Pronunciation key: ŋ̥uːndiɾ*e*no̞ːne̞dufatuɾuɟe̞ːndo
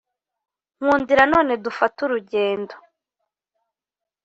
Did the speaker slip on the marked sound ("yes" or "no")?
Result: yes